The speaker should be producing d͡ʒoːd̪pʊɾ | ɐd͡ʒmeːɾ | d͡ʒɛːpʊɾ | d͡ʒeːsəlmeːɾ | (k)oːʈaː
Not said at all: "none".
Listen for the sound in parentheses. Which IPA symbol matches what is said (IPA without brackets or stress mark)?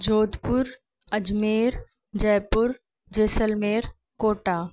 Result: k